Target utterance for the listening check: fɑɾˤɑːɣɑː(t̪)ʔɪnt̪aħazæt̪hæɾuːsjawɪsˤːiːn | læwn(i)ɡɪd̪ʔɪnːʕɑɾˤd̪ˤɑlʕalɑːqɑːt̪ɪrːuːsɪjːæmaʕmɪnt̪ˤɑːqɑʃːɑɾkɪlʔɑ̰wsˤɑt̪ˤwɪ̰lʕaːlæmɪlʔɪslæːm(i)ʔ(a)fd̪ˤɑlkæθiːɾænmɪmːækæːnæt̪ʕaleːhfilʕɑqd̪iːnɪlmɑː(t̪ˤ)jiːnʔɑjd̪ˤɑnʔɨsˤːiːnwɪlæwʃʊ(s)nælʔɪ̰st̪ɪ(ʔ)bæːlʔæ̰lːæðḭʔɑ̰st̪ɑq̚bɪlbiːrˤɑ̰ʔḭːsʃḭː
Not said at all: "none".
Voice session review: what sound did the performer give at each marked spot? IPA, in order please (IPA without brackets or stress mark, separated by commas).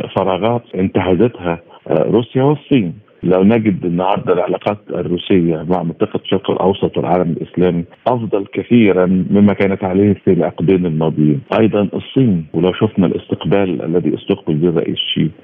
t̪, æ, i, ɑ, d̪ˤ, f, q